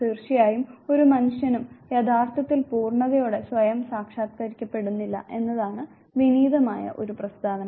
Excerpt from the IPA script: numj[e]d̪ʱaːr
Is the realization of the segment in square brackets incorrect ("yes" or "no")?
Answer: no